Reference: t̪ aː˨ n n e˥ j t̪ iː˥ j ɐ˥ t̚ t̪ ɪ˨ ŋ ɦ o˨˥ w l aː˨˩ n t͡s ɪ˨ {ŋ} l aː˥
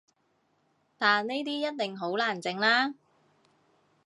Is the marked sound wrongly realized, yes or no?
no